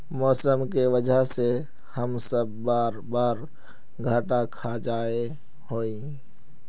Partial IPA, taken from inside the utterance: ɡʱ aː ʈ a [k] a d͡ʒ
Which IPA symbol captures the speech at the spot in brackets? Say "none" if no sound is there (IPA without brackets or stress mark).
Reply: kʰ